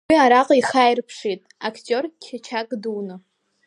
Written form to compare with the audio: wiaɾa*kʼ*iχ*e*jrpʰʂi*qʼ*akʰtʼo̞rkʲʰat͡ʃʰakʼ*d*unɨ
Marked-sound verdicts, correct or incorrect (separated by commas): incorrect, incorrect, incorrect, correct